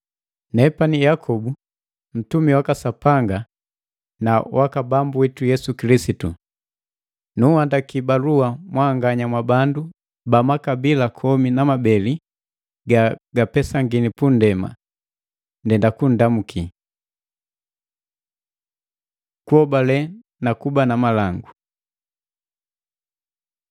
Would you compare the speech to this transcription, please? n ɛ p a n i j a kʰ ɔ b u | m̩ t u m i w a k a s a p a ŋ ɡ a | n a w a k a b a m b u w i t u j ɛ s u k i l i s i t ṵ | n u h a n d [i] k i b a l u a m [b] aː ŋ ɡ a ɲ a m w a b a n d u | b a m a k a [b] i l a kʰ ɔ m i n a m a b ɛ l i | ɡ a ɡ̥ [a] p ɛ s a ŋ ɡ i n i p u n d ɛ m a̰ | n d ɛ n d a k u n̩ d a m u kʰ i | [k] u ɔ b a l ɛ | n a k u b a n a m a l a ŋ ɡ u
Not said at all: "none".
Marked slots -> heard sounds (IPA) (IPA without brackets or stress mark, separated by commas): a, w, b, a, k